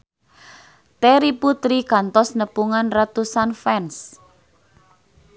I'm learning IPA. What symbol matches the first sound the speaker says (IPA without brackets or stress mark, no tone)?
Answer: t̪